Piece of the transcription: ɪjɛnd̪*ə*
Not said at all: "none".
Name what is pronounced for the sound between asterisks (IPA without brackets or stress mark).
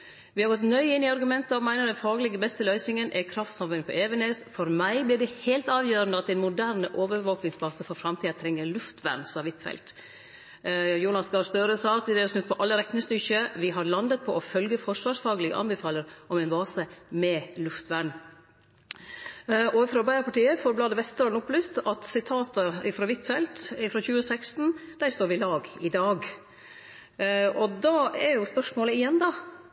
ɑ